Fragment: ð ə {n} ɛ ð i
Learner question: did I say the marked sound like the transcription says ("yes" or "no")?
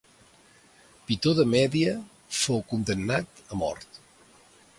no